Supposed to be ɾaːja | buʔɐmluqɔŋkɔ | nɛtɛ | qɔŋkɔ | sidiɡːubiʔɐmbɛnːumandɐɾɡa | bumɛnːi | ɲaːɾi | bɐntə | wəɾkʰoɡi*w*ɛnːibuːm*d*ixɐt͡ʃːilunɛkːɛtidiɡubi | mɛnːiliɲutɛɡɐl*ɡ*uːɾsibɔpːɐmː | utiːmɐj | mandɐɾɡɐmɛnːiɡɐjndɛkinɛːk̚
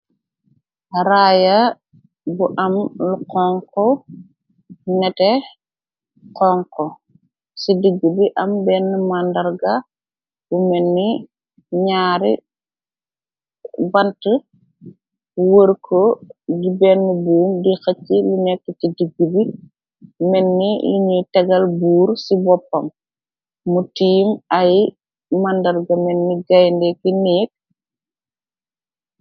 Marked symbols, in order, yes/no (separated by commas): no, yes, no